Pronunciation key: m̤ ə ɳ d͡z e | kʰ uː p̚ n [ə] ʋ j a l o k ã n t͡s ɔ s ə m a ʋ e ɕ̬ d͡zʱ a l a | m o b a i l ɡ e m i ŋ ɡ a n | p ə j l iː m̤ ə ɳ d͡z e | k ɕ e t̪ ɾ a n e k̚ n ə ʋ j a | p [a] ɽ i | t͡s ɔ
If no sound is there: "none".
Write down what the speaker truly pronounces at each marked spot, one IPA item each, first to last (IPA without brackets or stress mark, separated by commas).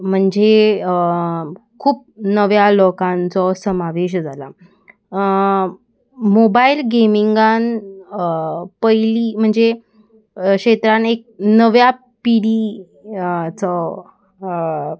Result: ə, i